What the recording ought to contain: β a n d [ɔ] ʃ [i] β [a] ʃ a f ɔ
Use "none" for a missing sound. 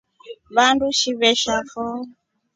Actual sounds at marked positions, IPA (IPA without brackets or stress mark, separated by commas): u, i, ɛ